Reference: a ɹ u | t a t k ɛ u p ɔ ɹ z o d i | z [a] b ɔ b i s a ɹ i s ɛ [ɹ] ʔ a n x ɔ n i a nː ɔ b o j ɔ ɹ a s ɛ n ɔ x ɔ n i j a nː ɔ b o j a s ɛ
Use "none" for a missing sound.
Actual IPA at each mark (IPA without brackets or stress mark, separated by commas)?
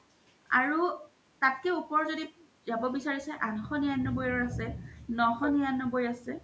a, none